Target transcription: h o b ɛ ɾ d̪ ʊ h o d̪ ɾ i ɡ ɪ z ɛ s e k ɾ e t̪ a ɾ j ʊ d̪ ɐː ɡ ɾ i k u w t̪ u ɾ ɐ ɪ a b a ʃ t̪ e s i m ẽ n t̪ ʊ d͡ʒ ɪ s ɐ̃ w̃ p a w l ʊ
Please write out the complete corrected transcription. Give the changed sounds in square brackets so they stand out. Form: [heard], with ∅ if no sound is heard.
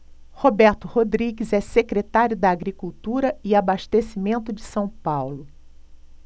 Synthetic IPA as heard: h o b ɛ ɾ [t̪] ʊ h o d̪ ɾ i ɡ ɪ z ɛ s e k ɾ e t̪ a ɾ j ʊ d̪ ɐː ɡ ɾ i k u w t̪ u ɾ ɐ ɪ a b a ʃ t̪ e s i m ẽ n t̪ ʊ d͡ʒ ɪ s ɐ̃ w̃ p a w l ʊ